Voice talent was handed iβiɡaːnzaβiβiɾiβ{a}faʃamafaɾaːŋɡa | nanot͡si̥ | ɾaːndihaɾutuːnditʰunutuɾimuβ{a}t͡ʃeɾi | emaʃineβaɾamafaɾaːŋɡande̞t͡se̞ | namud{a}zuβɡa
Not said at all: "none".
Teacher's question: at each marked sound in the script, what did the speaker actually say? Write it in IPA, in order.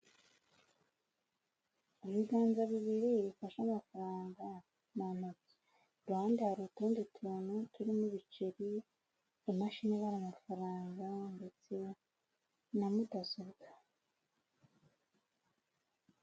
i, i, a

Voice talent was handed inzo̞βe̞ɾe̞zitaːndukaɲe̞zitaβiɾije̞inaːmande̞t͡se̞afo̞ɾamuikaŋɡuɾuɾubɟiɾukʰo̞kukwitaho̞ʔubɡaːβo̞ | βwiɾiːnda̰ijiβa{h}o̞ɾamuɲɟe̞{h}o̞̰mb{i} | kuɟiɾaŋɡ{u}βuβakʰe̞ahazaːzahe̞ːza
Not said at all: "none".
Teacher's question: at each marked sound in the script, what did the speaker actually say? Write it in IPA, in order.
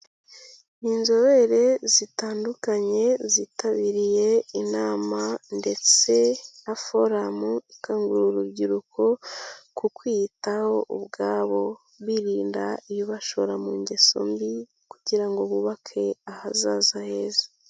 ʃ, s, i, o

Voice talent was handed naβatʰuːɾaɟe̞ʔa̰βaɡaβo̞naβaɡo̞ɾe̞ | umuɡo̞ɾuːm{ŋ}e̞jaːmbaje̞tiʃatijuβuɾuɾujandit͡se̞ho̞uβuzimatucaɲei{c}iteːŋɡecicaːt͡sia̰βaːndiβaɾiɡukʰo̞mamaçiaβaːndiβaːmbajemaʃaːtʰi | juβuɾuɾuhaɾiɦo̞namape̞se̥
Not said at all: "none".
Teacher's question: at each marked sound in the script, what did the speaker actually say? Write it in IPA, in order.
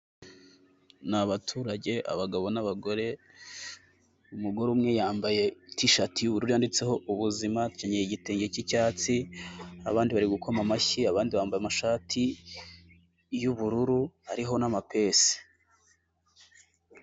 ŋ, ɟ

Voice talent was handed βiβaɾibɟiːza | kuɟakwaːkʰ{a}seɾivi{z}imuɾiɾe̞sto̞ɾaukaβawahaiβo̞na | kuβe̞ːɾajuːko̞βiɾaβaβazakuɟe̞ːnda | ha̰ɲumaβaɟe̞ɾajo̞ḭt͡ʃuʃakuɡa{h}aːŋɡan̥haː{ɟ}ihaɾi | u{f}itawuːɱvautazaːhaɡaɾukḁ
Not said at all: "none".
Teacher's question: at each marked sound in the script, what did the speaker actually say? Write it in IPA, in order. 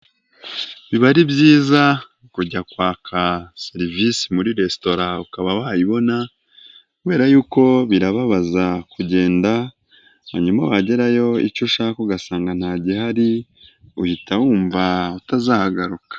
a, s, s, ɟ, h

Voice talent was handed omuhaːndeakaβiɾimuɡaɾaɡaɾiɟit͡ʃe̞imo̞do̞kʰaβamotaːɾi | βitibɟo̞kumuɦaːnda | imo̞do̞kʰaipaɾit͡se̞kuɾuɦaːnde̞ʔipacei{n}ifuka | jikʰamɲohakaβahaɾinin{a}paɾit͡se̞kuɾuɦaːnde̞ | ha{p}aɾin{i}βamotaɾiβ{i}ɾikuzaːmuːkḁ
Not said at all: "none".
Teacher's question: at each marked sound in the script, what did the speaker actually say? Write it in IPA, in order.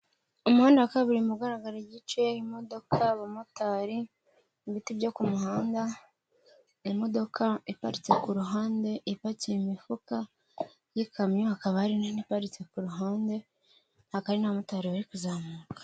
m, i, k, a, a

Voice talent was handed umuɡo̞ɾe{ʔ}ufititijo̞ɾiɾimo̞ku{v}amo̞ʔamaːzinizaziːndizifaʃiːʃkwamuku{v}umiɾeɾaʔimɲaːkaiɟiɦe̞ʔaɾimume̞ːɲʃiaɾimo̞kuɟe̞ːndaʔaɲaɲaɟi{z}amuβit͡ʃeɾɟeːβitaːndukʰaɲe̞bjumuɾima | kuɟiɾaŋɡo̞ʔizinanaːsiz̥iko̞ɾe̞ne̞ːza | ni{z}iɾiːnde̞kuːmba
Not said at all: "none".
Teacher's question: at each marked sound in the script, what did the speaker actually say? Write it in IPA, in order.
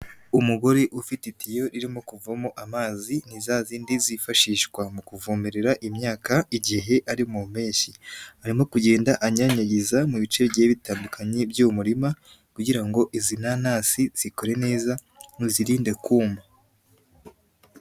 ʔ, v, v, z, z

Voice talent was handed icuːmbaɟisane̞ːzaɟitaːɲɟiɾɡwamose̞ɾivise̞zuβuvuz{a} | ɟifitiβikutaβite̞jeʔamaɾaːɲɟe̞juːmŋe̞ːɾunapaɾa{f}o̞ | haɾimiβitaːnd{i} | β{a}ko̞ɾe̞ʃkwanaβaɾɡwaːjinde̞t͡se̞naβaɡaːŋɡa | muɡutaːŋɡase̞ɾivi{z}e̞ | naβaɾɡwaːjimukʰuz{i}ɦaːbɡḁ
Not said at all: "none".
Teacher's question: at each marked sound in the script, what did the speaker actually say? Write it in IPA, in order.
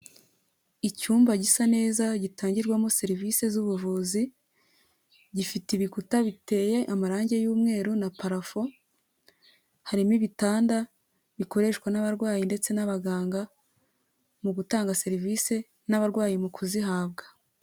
i, f, a, i, s, i

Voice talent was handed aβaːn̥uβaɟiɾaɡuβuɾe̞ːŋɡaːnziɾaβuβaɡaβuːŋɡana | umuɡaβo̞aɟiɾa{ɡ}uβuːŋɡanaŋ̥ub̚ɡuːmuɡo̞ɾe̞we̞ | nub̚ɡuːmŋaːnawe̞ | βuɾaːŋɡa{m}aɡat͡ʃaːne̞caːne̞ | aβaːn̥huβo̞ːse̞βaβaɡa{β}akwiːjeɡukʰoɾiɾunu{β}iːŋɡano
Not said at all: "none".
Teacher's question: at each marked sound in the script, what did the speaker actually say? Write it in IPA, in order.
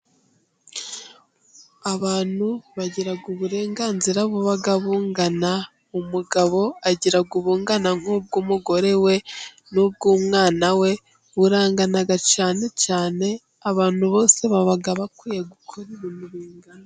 ɡ, n, β, β

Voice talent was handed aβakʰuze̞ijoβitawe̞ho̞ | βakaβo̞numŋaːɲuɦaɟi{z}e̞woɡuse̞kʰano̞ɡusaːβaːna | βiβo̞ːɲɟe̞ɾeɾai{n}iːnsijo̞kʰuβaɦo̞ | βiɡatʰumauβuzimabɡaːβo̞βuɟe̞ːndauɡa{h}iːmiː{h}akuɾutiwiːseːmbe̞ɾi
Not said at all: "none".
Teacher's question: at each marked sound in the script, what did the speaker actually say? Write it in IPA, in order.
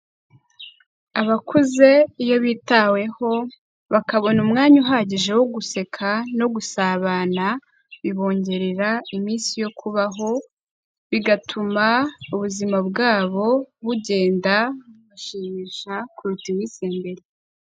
ʒ, m, ʃ, ʃ

